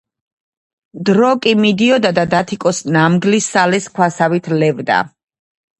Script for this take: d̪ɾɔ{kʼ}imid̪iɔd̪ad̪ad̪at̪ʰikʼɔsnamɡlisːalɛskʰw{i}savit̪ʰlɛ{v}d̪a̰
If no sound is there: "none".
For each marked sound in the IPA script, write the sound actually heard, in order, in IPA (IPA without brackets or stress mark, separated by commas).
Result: kʼ, a, v